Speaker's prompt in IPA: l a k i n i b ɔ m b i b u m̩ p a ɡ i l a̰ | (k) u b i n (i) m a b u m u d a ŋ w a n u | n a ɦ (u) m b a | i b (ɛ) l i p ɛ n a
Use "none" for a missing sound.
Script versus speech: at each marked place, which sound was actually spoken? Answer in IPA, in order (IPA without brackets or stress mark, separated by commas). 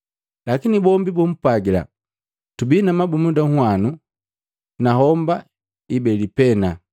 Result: t, a, ɔ, ɛ